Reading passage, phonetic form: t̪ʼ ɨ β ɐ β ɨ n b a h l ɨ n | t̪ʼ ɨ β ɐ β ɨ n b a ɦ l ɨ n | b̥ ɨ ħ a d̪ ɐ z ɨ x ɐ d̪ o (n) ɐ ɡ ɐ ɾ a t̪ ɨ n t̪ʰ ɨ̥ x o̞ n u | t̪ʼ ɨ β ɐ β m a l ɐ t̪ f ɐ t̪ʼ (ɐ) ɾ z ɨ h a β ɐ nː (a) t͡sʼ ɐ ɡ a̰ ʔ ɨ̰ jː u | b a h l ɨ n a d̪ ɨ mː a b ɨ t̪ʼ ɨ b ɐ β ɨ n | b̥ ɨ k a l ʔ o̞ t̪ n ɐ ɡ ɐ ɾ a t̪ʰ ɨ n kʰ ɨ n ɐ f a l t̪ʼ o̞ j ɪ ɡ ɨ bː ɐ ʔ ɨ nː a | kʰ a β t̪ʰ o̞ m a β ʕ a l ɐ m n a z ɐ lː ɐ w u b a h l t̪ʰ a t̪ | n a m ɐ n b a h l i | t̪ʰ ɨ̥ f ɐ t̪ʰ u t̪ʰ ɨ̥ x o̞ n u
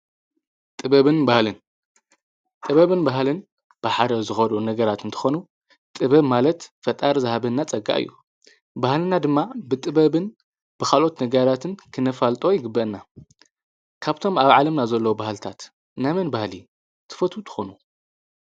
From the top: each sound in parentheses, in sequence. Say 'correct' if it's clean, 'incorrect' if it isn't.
correct, incorrect, correct

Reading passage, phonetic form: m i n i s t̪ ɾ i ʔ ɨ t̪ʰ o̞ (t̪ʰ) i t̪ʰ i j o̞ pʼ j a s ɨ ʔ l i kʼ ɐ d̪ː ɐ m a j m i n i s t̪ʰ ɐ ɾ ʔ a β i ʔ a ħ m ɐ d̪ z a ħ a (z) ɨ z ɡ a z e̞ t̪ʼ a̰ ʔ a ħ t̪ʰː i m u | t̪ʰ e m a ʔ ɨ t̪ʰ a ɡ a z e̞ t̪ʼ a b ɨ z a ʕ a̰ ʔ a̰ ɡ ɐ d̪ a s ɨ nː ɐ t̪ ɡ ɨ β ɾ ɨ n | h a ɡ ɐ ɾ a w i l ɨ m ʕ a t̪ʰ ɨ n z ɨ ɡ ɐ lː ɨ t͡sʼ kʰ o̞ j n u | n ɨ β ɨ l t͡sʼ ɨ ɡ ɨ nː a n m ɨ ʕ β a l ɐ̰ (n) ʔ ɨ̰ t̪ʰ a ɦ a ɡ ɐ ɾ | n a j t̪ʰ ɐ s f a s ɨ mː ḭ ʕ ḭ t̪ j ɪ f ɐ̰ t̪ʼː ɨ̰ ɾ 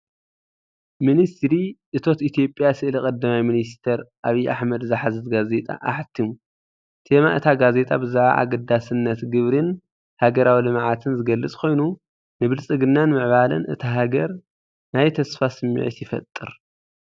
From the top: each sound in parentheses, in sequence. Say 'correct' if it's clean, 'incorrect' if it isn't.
incorrect, correct, correct

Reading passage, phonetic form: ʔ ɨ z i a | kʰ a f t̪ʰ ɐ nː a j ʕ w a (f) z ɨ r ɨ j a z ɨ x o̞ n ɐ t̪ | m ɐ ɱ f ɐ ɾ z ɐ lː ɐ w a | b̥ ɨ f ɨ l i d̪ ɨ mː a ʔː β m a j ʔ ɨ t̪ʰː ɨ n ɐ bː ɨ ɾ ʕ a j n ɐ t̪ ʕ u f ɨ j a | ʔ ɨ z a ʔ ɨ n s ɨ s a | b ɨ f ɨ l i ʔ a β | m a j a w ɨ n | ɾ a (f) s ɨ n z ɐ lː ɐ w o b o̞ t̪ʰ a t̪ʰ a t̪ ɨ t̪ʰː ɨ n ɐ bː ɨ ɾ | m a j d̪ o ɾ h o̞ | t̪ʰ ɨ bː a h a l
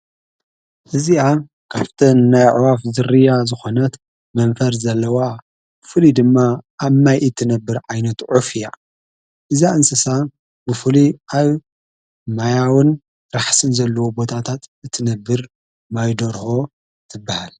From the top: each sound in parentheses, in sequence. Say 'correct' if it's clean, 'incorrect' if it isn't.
correct, incorrect

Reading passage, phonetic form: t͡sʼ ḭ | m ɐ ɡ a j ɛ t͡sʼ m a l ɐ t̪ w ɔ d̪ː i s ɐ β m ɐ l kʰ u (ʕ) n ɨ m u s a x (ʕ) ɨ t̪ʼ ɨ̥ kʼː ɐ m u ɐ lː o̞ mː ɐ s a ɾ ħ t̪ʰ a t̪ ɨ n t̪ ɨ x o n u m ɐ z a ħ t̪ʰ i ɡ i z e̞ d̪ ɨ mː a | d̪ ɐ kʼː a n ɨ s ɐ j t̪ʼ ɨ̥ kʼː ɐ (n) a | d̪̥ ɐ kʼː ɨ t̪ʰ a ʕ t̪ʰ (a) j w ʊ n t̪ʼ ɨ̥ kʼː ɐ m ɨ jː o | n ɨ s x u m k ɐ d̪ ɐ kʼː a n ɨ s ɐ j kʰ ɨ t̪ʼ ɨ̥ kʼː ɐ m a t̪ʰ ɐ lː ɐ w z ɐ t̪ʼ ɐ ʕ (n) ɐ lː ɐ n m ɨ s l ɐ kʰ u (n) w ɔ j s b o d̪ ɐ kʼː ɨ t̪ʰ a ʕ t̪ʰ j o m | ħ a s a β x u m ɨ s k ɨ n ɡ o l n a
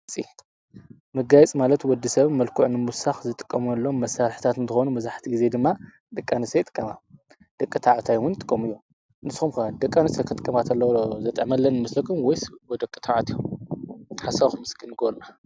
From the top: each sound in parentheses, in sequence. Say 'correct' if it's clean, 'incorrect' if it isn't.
correct, incorrect, incorrect, correct, incorrect, incorrect

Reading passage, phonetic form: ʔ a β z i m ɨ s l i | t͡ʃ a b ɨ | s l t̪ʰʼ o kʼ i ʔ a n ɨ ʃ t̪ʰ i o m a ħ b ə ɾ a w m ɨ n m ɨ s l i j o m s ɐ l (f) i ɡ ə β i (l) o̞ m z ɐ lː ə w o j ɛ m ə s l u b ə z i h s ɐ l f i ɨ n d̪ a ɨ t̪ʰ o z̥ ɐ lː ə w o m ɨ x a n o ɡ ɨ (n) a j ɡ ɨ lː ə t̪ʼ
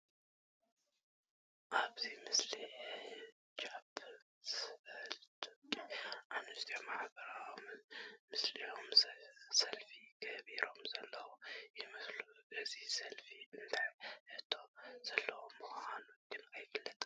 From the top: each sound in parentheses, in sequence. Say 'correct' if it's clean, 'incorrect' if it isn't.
correct, incorrect, correct

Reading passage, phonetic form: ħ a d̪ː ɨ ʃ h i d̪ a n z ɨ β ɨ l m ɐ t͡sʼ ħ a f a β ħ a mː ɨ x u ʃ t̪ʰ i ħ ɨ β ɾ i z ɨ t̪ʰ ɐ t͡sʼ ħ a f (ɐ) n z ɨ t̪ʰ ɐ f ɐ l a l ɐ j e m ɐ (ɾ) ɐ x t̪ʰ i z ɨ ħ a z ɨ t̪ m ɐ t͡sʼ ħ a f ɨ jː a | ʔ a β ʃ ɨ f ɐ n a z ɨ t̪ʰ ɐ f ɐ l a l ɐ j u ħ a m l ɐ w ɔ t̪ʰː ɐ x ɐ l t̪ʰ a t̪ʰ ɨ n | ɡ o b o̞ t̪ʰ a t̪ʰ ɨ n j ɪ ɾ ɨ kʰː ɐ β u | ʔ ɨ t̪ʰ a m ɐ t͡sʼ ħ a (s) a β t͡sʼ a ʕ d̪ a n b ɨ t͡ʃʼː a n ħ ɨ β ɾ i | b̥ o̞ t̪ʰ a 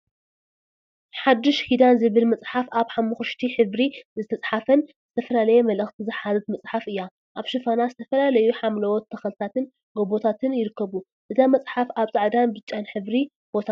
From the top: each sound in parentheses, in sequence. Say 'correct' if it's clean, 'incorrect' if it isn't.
correct, incorrect, incorrect

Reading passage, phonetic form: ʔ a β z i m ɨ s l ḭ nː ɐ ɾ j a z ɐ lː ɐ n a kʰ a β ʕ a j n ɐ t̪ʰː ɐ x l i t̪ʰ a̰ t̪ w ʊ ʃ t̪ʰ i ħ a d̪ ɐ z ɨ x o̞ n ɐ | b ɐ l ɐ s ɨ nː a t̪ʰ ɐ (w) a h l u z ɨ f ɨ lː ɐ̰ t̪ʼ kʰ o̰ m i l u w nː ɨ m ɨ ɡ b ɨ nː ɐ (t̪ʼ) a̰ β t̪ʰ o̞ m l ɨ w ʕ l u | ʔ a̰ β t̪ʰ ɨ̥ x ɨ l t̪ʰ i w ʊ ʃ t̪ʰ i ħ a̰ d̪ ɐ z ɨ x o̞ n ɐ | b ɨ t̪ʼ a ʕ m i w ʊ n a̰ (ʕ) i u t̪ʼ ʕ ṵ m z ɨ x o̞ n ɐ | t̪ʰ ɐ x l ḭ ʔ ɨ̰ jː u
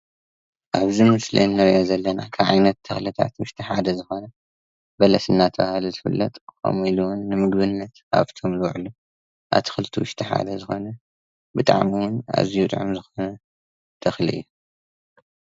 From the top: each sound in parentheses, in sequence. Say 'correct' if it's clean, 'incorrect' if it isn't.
incorrect, incorrect, incorrect

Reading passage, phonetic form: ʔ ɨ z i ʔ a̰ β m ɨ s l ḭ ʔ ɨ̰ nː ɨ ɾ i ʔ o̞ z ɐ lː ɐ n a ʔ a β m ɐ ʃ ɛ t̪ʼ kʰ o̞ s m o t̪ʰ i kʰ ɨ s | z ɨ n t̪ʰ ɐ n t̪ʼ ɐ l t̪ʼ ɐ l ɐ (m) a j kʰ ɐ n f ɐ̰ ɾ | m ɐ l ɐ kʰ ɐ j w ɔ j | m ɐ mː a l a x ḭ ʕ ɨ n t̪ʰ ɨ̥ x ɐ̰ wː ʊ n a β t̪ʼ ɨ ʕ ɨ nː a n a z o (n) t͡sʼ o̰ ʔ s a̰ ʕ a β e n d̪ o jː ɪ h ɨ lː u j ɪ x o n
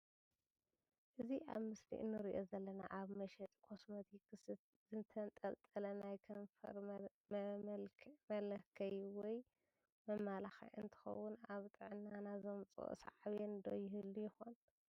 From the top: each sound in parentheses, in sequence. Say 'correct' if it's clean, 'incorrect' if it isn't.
incorrect, incorrect

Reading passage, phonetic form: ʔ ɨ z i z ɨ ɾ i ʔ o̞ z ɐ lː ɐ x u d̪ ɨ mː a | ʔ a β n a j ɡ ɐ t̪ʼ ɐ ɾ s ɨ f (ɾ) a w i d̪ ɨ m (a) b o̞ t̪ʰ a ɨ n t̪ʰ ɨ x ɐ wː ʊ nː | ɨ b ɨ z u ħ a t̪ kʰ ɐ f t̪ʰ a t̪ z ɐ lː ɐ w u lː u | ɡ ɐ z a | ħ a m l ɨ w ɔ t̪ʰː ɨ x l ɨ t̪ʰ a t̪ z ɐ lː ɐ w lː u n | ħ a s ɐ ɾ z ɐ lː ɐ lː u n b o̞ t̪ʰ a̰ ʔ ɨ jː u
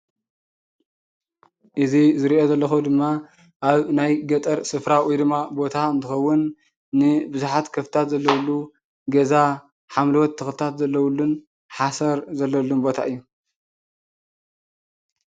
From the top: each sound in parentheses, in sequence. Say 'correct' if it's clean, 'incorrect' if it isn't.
correct, correct

